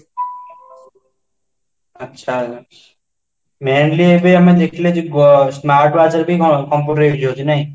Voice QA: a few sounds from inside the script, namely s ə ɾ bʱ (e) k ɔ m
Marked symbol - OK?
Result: no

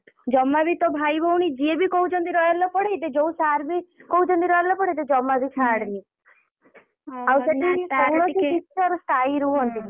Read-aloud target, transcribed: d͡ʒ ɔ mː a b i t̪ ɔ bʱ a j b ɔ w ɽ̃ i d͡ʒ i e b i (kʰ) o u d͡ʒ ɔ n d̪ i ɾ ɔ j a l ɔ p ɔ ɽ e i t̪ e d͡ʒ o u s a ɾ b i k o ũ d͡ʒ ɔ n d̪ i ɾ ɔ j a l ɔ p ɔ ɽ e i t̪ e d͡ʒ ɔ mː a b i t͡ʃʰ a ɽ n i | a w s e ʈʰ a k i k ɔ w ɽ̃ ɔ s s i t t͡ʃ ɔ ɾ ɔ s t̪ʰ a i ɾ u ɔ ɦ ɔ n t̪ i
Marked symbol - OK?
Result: no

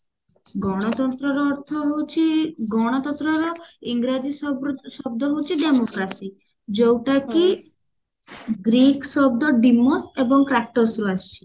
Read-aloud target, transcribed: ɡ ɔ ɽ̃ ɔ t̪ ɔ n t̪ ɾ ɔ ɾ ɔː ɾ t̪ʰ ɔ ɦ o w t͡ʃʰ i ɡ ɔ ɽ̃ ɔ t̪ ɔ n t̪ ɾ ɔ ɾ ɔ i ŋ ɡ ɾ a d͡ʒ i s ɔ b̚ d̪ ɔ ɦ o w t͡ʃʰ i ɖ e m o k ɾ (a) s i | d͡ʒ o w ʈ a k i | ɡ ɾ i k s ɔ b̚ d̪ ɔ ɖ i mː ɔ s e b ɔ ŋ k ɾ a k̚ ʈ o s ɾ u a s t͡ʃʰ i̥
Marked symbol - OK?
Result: yes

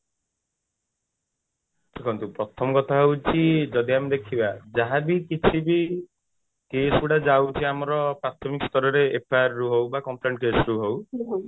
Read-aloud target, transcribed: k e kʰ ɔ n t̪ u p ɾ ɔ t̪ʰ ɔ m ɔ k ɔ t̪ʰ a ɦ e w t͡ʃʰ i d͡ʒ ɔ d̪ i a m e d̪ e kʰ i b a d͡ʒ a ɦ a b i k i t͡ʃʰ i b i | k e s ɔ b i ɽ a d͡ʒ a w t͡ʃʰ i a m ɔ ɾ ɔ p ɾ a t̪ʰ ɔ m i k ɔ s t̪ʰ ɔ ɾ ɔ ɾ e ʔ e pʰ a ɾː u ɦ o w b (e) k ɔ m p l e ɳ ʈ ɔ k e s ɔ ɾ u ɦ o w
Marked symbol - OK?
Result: no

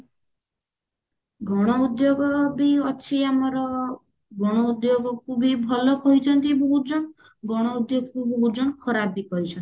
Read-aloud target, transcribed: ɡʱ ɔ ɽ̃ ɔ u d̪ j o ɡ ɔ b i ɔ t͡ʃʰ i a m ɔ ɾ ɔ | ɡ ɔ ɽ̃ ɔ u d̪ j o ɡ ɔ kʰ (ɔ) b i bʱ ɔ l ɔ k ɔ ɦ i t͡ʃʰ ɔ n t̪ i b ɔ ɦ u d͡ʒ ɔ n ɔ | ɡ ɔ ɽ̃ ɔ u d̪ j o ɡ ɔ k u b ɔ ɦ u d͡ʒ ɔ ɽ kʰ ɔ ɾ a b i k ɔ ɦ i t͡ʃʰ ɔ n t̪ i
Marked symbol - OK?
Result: no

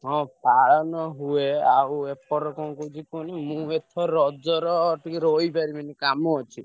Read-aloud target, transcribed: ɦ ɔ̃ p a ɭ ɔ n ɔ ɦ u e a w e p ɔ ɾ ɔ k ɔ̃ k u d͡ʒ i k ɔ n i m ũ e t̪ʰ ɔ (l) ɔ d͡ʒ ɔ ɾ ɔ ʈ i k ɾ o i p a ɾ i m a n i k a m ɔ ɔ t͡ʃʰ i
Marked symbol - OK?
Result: no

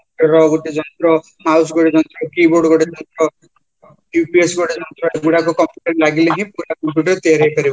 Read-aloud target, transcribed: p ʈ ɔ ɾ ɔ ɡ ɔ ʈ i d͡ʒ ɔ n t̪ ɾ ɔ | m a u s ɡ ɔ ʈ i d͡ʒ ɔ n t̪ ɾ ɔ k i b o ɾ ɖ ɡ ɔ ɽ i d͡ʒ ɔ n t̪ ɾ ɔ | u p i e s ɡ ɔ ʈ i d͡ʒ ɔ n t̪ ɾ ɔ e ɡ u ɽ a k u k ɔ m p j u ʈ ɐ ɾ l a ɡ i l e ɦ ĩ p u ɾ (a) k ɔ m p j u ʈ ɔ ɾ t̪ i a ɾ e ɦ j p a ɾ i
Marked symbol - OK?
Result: yes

